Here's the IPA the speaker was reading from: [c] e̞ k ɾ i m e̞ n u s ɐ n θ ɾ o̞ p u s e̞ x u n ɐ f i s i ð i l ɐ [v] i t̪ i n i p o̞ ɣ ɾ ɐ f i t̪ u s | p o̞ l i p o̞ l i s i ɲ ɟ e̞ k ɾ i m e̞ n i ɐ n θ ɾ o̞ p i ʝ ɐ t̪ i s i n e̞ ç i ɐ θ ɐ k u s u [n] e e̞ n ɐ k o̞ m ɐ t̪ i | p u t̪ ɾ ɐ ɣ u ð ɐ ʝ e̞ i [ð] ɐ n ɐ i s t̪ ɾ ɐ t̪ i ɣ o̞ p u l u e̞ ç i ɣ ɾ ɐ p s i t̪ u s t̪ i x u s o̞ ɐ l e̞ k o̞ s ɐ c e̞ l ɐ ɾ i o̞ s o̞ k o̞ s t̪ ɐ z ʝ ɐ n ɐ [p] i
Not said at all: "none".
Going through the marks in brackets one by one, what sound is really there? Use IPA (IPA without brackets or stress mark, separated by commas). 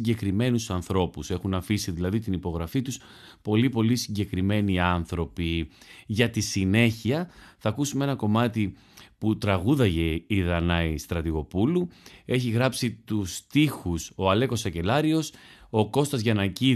ɟ, ð, m, ð, c